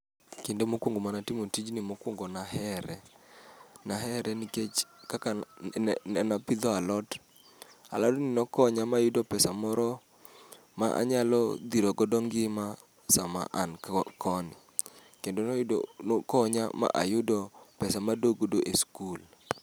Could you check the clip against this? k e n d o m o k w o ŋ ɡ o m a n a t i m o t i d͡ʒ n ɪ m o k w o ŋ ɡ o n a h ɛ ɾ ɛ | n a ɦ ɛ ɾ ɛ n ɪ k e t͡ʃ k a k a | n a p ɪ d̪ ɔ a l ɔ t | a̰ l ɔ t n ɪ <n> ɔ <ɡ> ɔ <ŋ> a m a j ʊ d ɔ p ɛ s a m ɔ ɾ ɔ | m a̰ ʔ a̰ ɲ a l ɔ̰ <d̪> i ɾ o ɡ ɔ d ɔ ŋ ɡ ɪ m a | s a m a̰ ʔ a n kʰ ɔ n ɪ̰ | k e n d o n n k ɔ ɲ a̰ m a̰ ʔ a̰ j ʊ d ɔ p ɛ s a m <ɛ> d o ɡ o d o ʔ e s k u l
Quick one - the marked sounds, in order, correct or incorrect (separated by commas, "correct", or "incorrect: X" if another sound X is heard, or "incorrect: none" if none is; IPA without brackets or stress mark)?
correct, incorrect: k, incorrect: ɲ, correct, incorrect: a